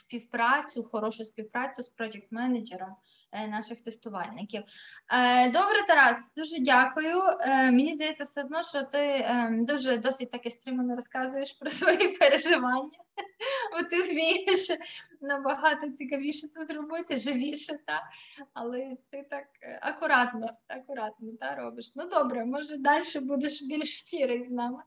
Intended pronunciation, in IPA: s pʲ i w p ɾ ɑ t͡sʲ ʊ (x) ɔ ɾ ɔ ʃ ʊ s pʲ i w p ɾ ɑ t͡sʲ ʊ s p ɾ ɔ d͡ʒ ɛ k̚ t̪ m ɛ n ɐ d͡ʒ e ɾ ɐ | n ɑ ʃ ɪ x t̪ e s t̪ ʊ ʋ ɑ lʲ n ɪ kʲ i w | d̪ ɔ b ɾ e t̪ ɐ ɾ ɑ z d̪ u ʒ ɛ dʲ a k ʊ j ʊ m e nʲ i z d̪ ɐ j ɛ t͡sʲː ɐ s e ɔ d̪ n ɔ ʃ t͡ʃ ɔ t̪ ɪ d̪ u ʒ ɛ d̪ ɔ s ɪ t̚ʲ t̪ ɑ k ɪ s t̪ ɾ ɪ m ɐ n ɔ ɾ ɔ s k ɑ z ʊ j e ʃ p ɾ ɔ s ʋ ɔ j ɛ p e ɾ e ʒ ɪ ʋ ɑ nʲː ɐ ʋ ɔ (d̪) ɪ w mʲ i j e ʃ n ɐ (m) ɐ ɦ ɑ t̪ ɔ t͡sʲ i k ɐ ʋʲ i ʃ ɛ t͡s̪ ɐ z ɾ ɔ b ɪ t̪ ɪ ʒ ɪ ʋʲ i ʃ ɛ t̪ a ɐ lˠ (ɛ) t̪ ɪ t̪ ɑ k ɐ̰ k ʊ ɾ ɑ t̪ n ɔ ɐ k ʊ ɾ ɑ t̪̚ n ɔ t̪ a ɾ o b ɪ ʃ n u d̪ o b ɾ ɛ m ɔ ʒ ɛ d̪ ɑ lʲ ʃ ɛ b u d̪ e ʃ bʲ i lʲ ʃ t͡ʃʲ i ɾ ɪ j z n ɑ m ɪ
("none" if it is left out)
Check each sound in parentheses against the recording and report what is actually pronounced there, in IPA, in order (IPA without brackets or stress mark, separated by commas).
x, t̪, b, ɛ